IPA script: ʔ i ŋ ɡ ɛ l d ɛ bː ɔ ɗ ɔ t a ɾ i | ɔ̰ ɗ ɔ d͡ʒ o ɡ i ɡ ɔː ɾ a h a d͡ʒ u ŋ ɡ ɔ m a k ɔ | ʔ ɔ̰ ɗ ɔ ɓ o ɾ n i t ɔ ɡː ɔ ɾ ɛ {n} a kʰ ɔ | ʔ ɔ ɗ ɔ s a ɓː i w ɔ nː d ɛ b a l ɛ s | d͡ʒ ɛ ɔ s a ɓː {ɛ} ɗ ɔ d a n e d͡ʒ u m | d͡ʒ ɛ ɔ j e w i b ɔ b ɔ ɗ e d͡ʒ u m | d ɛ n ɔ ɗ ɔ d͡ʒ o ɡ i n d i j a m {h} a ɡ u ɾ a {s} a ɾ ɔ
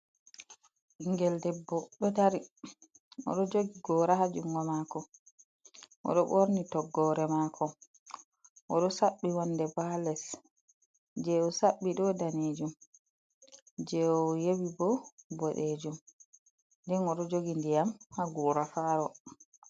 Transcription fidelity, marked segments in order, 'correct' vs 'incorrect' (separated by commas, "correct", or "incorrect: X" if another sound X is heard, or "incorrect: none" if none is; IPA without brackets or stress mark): incorrect: m, incorrect: i, correct, incorrect: f